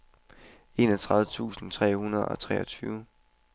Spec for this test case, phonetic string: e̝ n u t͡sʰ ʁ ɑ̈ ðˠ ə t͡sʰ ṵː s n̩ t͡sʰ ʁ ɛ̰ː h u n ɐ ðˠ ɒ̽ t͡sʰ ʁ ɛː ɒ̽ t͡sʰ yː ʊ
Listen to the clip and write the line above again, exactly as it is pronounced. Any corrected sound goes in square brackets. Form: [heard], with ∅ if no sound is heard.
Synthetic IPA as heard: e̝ n [ɒ] t͡sʰ ʁ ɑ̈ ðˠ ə t͡sʰ ṵː s n̩ t͡sʰ ʁ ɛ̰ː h u n ɐ ðˠ ɒ̽ t͡sʰ ʁ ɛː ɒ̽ t͡sʰ yː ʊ